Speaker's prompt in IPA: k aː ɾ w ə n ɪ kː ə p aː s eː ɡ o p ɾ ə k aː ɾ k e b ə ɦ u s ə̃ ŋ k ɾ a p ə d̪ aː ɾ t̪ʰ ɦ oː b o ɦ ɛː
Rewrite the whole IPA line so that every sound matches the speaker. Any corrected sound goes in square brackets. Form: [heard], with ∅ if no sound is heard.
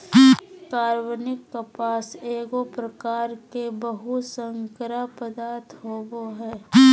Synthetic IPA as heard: k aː ɾ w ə n ɪ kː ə p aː s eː ɡ o p ɾ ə k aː ɾ k e b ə ɦ u s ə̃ ŋ k ɾ a p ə d̪ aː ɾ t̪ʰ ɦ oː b o ɦ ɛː